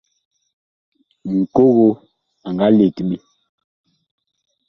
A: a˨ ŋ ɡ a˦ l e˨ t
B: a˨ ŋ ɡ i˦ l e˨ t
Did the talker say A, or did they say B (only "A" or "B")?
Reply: A